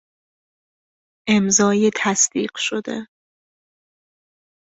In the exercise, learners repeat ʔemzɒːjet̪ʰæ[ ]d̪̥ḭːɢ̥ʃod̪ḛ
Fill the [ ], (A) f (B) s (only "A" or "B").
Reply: B